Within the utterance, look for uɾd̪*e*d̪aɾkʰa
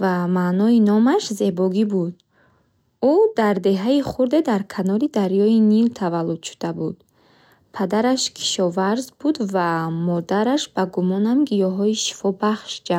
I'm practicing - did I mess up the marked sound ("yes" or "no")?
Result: no